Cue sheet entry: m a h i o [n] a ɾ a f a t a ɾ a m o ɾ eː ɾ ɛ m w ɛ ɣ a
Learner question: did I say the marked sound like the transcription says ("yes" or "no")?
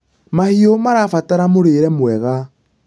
no